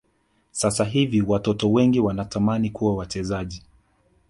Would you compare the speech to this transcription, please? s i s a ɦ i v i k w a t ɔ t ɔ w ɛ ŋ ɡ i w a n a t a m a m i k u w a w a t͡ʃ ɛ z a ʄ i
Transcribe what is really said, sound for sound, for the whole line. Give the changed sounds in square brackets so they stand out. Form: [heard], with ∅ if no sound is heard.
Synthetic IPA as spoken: s [a] s a ɦ i v i [∅] w a t ɔ t ɔ w ɛ ŋ ɡ i w a n a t a m a [n] i k u w a w a t͡ʃ ɛ z a ʄ i